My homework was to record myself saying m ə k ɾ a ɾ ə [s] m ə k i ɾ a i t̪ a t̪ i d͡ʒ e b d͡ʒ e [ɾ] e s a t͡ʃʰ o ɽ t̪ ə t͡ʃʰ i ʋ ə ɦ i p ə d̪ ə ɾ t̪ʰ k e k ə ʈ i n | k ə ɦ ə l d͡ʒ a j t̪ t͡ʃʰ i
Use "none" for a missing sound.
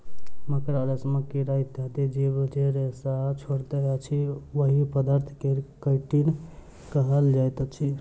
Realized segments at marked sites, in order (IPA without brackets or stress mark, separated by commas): s, ɾ